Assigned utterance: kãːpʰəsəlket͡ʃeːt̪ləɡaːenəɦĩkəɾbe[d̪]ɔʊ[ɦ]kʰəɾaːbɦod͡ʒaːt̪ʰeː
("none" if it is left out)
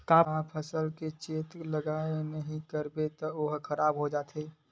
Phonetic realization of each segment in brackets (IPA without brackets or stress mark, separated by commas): t̪, ɦ